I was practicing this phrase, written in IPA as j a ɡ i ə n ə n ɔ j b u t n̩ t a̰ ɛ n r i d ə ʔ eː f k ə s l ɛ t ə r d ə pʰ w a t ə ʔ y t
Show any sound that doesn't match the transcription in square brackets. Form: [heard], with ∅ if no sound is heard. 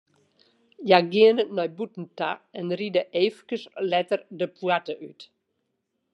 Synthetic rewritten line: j a ɡ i ə n ə n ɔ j b u t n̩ t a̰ ɛ n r i d ə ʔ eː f k ə s l ɛ t ə r d ə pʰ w a t ə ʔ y t